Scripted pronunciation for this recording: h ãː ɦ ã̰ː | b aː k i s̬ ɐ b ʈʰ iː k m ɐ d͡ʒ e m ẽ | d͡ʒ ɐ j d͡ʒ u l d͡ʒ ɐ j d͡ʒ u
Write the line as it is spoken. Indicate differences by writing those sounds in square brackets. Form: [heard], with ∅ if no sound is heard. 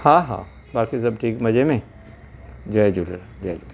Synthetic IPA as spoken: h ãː ɦ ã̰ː | b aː k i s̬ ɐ b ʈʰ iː k m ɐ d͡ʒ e m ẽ | d͡ʒ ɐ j d͡ʒ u l d͡ʒ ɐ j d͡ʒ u